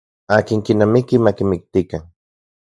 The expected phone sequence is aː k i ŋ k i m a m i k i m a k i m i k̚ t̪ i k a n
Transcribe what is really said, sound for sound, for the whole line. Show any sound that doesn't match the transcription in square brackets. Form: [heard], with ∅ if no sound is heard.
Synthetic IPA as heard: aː k i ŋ k i [n] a m i k i m a k i m i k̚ t̪ i k a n